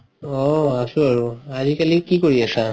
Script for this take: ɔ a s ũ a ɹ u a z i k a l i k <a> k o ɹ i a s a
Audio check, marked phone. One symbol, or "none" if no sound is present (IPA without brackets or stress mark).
i